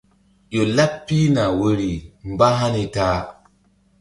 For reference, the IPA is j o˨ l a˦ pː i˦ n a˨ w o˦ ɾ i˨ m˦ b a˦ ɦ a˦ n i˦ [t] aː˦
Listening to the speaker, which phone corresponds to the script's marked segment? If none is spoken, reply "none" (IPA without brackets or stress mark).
t